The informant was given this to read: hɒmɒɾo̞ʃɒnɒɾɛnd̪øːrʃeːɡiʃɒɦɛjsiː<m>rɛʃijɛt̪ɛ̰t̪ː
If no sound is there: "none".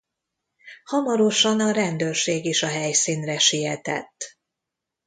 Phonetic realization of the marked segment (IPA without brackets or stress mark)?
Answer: n